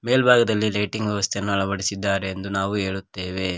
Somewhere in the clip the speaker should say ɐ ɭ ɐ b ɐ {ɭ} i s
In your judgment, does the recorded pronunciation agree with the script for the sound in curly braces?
no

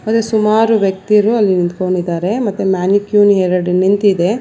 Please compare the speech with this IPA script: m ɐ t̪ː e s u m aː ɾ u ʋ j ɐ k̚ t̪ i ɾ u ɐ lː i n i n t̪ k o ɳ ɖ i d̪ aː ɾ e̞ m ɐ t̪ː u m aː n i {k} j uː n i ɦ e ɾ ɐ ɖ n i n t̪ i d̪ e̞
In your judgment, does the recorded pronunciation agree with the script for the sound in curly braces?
yes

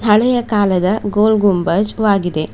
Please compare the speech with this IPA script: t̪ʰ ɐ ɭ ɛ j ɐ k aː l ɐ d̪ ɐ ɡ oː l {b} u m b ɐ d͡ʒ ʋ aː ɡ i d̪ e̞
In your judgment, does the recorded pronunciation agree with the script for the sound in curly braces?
no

